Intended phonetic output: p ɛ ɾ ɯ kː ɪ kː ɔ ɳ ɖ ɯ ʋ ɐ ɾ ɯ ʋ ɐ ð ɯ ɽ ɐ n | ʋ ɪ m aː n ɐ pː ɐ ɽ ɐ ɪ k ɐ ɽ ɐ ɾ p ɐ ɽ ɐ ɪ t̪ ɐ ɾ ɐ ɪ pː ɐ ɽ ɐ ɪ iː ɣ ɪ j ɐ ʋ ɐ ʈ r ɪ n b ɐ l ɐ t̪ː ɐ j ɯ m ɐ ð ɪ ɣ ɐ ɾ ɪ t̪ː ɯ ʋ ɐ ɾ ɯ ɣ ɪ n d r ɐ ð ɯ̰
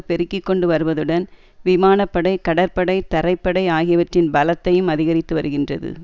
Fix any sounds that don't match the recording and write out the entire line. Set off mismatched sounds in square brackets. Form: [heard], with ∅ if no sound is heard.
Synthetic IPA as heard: p ɛ ɾ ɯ kː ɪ kː ɔ ɳ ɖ ɯ ʋ ɐ ɾ ɯ ʋ ɐ ð ɯ ɽ ɐ n | ʋ ɪ m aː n ɐ pː ɐ ɽ ɐ ɪ k ɐ ɽ ɐ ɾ p ɐ ɽ ɐ ɪ t̪ ɐ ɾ ɐ ɪ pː ɐ ɽ ɐ ɪ [aː] ɣ ɪ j ɐ ʋ ɐ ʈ r ɪ n b ɐ l ɐ t̪ː ɐ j ɯ m ɐ ð ɪ ɣ ɐ ɾ ɪ t̪ː ɯ ʋ ɐ ɾ ɯ ɣ ɪ n d r ɐ ð ɯ̰